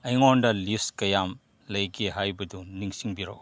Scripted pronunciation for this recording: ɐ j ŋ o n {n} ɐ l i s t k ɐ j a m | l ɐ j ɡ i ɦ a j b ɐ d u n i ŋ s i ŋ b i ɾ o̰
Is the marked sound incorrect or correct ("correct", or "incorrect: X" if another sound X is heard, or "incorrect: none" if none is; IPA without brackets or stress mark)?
incorrect: d